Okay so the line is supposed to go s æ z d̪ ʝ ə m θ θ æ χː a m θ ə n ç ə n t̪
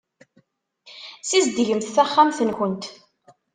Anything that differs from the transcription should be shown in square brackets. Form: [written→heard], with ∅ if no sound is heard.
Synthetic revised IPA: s [æ→i] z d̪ ʝ ə m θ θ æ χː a m θ ə n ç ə n t̪